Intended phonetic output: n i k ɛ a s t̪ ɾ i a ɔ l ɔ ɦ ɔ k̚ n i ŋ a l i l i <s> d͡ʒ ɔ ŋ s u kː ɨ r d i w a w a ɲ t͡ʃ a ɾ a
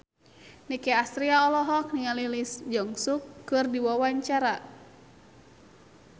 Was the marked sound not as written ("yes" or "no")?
no